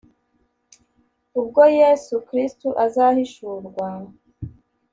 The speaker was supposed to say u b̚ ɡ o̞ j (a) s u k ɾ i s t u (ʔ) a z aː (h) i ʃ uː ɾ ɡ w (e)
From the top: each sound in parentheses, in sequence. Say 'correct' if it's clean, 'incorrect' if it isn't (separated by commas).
incorrect, correct, correct, incorrect